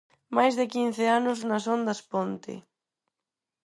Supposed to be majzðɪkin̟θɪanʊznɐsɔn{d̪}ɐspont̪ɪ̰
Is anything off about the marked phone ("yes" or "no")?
no